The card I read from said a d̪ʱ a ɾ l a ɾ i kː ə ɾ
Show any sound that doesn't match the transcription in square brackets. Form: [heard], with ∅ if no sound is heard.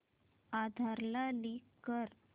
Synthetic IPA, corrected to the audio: a d̪ʱ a ɾ l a [l] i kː ə ɾ